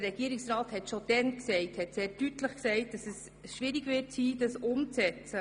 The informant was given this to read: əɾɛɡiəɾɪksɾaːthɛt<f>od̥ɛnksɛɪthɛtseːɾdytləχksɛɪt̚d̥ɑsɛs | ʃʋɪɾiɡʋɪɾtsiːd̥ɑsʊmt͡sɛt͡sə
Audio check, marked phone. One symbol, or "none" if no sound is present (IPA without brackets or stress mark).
ʃ